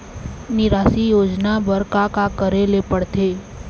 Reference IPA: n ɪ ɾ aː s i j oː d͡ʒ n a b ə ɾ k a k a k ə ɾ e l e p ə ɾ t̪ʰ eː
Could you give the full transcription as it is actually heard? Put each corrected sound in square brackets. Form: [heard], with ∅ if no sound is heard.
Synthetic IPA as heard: n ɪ ɾ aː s i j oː d͡ʒ n a b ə ɾ k a k a k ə ɾ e l e p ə [ɽ] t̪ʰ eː